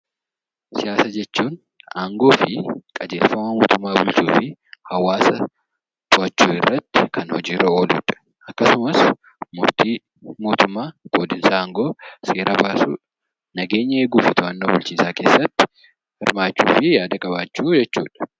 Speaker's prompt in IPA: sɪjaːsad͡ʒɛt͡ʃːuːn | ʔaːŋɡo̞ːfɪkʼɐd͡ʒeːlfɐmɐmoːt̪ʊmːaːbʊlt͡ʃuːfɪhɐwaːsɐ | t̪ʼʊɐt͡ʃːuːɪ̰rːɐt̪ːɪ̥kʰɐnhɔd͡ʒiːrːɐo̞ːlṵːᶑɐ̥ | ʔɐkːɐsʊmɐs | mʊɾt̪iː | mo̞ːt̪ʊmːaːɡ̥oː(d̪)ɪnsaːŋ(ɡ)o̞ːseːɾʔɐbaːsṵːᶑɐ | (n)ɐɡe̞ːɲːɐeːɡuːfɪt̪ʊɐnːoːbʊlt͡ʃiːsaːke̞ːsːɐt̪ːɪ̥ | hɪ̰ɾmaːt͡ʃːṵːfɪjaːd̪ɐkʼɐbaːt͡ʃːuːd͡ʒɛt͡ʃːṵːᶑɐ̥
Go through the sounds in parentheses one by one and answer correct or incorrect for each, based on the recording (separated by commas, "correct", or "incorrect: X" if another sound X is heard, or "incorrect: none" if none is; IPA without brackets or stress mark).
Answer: correct, correct, correct